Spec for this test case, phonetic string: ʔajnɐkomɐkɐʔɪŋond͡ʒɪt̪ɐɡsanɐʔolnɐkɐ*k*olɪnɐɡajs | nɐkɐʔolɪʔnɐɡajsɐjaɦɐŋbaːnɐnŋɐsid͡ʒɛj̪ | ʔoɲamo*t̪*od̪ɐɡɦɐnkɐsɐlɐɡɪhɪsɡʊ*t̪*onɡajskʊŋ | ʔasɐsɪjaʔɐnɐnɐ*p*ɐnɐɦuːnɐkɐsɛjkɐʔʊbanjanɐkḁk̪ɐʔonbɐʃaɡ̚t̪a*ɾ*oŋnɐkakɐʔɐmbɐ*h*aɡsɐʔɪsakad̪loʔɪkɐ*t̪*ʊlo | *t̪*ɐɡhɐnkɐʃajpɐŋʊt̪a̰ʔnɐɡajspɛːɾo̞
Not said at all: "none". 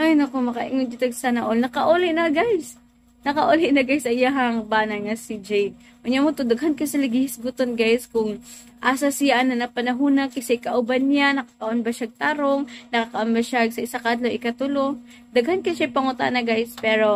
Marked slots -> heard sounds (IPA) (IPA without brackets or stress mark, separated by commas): ʔ, t̪, t̪, p, ɾ, ʃ, t̪, d̪